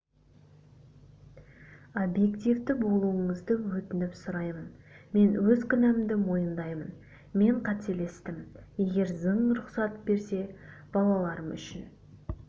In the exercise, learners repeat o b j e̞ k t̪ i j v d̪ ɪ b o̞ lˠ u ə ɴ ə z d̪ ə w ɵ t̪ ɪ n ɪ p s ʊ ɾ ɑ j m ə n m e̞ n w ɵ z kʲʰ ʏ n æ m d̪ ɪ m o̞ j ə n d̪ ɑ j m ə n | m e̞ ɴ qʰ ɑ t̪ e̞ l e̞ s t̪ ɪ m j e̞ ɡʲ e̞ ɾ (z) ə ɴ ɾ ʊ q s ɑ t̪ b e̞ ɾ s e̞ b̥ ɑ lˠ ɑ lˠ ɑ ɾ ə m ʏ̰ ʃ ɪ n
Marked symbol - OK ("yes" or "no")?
yes